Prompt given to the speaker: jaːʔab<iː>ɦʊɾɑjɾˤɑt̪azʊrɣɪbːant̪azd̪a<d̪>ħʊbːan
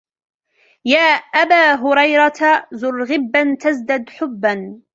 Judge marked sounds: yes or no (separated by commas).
no, yes